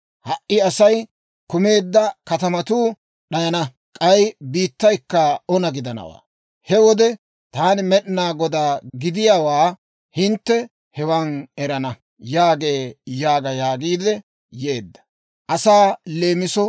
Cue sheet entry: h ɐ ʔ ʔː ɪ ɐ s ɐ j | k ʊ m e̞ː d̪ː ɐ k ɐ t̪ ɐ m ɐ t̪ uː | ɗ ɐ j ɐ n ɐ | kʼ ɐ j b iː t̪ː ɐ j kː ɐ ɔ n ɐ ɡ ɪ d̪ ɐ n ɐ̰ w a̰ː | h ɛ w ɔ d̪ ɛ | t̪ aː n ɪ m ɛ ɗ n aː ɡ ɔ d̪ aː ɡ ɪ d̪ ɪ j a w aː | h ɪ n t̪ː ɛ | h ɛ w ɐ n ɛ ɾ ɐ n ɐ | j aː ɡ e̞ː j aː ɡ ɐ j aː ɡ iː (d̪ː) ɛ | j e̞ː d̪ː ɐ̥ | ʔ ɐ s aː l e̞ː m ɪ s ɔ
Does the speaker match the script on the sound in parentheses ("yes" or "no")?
no